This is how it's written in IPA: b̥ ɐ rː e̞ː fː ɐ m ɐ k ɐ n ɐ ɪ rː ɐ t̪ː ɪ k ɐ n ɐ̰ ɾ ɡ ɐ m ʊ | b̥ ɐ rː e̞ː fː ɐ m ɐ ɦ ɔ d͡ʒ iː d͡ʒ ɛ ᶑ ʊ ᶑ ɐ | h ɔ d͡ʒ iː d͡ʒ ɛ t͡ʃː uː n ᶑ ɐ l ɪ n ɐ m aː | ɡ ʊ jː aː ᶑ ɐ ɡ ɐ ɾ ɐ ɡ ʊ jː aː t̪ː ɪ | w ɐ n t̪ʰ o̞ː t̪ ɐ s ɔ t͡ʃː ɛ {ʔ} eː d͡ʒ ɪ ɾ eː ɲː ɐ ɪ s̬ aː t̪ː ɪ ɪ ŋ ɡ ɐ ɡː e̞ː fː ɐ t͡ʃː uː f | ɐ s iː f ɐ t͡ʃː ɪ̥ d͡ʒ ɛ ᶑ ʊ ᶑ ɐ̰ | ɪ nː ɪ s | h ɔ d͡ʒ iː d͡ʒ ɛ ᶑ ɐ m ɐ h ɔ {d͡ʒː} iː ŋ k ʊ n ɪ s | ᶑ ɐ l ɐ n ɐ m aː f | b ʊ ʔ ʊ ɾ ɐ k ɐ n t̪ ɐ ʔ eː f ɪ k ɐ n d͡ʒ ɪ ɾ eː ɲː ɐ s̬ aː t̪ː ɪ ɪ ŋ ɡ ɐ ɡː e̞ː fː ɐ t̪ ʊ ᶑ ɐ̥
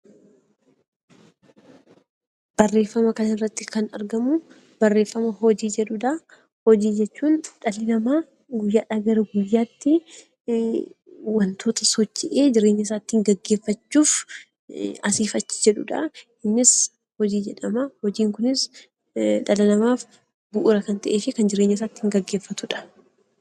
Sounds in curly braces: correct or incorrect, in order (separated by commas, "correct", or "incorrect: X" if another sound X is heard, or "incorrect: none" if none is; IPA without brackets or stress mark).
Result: correct, incorrect: d͡ʒ